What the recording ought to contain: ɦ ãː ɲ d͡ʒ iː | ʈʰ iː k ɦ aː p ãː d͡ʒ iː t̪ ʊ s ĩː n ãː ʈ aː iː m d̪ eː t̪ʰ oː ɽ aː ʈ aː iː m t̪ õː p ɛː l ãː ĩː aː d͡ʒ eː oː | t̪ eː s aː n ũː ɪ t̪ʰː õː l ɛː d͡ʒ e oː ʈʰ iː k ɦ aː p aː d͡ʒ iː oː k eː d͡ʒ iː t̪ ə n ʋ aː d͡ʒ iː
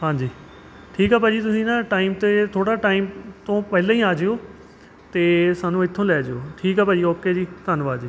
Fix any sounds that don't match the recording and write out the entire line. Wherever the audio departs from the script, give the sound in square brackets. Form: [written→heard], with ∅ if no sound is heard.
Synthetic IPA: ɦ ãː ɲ d͡ʒ iː | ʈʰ iː k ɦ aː p [ãː→aː] d͡ʒ iː t̪ ʊ s ĩː n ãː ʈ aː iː m [d̪→t̪] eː t̪ʰ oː ɽ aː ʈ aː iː m t̪ õː p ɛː l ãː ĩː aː d͡ʒ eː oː | t̪ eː s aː n ũː ɪ t̪ʰː õː l ɛː d͡ʒ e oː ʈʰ iː k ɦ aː p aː d͡ʒ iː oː k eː d͡ʒ iː t̪ ə n ʋ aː d͡ʒ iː